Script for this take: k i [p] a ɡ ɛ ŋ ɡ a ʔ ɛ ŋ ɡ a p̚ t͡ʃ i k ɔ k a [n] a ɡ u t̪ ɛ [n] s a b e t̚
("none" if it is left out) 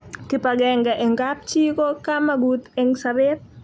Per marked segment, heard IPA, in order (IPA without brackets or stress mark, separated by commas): p, m, ŋ